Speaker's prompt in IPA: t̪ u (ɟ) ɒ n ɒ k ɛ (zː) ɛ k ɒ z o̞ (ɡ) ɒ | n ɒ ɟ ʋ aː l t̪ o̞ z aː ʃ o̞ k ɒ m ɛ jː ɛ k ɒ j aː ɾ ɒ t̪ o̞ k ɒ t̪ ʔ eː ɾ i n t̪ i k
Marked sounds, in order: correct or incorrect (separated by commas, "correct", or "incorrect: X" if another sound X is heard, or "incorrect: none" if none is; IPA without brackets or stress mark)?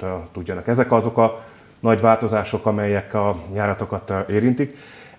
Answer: incorrect: ɟː, incorrect: z, incorrect: k